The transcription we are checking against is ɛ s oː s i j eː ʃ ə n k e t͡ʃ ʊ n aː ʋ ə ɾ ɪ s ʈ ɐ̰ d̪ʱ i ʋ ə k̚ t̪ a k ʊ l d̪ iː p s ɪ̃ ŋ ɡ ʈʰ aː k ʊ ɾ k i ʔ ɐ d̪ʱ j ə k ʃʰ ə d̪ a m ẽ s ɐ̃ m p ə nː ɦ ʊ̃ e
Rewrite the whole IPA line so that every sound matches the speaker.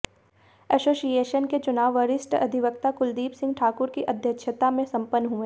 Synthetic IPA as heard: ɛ s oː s i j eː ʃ ə n k e t͡ʃ ʊ n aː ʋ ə ɾ ɪ s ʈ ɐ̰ d̪ʱ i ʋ ə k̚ t̪ a k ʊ l d̪ iː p s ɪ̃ ŋ ɡ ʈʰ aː k ʊ ɾ k i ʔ ɐ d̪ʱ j ə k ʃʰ ə t̪ a m ẽ s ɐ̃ m p ə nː ɦ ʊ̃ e